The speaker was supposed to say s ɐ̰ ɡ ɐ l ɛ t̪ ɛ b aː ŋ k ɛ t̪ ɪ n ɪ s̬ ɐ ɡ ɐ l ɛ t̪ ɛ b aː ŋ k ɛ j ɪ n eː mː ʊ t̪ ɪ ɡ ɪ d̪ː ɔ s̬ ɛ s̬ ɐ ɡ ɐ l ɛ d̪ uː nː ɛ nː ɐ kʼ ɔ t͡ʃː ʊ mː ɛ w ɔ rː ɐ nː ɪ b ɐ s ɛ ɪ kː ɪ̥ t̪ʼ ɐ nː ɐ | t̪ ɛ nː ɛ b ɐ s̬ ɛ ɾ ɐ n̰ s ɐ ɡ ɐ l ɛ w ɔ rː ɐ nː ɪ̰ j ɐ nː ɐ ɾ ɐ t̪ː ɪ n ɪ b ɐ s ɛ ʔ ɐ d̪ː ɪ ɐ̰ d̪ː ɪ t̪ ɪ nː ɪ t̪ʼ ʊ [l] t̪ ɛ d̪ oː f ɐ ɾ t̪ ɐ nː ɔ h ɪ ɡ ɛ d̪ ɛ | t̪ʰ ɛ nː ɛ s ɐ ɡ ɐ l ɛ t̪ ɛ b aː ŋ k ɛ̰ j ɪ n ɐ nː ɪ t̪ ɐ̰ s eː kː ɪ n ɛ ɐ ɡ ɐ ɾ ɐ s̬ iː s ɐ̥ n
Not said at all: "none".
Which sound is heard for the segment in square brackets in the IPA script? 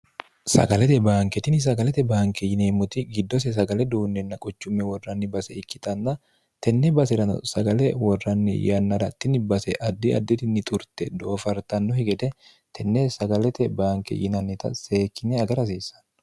ɾ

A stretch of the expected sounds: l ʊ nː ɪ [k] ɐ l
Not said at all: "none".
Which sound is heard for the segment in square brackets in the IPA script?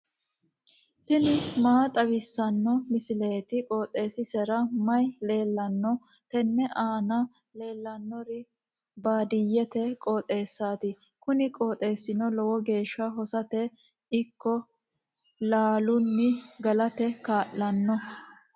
ɡ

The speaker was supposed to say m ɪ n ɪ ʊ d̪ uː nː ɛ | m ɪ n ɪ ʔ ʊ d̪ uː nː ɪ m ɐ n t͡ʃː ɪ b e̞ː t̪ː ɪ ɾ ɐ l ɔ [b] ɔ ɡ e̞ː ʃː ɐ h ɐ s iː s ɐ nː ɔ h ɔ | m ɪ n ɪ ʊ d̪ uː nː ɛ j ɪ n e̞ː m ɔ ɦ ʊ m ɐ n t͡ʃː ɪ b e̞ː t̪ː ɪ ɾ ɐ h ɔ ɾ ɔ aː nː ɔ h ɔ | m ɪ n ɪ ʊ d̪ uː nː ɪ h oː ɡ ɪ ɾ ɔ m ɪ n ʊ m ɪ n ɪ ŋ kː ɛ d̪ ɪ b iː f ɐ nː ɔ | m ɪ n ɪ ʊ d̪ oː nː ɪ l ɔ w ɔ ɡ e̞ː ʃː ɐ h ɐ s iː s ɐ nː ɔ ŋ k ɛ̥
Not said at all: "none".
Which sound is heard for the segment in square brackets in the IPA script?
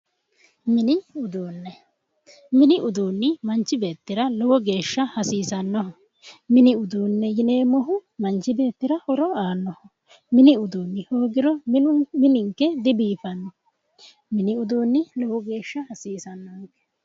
w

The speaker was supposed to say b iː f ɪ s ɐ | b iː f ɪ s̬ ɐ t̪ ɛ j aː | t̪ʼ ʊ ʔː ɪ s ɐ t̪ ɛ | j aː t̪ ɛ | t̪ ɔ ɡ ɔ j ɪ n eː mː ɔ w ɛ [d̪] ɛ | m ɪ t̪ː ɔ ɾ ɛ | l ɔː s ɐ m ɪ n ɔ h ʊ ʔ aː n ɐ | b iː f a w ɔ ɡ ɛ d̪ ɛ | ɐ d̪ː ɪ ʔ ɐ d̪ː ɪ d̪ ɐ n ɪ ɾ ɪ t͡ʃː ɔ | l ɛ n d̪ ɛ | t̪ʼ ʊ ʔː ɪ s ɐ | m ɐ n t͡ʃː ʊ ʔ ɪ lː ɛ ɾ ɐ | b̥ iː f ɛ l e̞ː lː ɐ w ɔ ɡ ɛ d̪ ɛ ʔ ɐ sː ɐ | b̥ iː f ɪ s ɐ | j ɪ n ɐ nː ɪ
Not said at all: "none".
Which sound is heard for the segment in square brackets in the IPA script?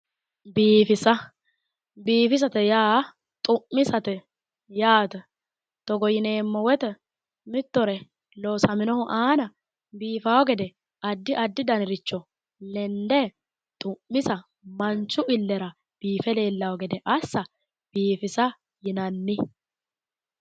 t̪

